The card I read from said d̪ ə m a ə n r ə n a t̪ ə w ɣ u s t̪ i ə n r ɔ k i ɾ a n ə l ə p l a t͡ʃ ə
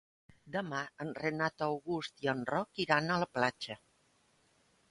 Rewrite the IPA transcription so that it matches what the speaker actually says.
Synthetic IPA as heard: d̪ ə m a ə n r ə n a t̪ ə w ɣ u s t̪ i ə n r ɔ k i ɾ a n ə l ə p l a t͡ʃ ə